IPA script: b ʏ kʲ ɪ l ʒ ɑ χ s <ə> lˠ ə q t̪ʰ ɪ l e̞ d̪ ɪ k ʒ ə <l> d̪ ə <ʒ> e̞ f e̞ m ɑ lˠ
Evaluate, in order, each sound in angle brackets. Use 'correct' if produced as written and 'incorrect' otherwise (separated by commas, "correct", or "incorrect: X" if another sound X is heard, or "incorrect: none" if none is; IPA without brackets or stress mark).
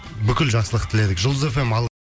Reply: correct, correct, incorrect: z